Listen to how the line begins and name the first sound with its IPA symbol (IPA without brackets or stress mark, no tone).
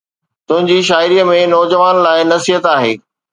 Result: t̪